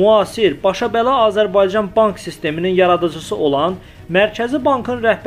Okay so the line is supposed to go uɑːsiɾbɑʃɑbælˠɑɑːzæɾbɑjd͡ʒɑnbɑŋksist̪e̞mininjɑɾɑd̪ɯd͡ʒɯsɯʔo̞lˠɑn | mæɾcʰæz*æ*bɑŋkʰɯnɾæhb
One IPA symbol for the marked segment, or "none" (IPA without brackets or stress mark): i